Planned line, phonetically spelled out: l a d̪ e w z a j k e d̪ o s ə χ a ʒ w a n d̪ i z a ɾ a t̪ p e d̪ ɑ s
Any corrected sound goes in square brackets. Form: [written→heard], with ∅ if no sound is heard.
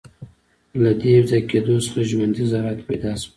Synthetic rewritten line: l a d̪ e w z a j k e d̪ o s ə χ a ʒ w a n d̪ i z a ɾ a t̪ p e d̪ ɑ s

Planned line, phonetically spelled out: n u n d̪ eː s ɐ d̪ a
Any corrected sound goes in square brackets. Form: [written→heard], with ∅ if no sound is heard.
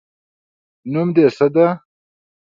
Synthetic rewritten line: n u [n→m] d̪ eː s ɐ d̪ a

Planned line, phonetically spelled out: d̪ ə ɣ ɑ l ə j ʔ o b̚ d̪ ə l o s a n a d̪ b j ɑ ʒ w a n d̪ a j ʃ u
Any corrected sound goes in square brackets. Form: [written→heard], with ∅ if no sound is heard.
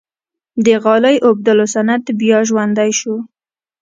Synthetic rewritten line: d̪ ə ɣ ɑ l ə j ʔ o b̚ d̪ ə l o s a n a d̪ b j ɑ ʒ w a n d̪ a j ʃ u

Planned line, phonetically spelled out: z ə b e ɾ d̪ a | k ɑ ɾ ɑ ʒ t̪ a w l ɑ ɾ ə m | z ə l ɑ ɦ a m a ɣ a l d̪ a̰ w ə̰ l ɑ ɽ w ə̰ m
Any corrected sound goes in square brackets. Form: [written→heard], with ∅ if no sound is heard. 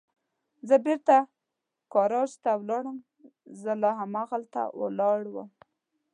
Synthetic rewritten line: z ə b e ɾ [d̪→t̪] a | k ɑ ɾ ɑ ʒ t̪ a w l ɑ [ɾ→ɽ] ə m | z ə l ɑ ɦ a m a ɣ a l [d̪→t̪] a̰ w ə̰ l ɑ ɽ w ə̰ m

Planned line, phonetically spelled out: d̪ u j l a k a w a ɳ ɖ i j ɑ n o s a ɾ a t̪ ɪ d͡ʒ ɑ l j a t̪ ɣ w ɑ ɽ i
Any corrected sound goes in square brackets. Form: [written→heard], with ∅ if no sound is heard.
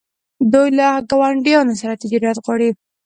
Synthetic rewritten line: d̪ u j l a [k→ɡ] a w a ɳ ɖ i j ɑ n o s a ɾ a t̪ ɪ d͡ʒ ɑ [l→ɾ] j a t̪ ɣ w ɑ ɽ i

